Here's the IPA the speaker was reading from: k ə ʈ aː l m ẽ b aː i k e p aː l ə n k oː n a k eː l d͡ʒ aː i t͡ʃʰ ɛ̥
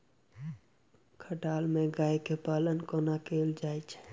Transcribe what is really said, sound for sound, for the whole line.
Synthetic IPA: kʰ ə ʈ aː l m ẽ ɡ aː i k e p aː l ə n k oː n a k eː l d͡ʒ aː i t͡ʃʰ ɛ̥